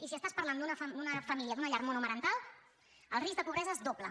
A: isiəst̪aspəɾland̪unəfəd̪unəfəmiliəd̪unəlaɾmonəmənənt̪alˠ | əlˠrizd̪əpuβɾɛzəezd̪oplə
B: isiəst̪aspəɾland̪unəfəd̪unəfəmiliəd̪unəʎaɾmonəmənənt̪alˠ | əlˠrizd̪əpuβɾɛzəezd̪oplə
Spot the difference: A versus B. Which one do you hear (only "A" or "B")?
B